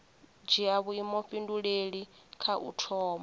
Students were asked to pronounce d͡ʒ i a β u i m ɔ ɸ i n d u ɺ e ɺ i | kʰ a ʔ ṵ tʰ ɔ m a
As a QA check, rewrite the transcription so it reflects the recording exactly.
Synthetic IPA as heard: d͡ʒ i a β u i m ɔ ɸ i n d u ɺ e ɺ i | kʰ a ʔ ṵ tʰ ɔː m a